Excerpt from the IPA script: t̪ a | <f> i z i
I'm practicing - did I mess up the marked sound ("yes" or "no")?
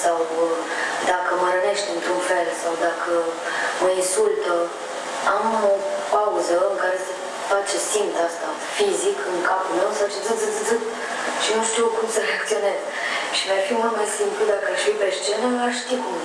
no